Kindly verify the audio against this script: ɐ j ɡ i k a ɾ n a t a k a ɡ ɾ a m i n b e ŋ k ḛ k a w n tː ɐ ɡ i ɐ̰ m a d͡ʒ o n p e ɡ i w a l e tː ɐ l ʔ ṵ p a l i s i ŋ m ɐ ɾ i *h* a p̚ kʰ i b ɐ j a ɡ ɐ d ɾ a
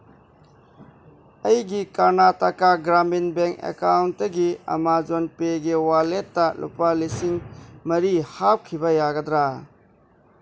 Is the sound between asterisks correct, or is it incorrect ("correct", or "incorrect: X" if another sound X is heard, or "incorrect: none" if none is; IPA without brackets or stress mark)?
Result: correct